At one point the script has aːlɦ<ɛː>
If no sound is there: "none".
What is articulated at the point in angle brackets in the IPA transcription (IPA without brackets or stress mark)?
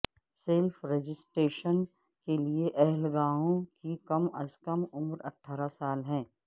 ɛ̃ː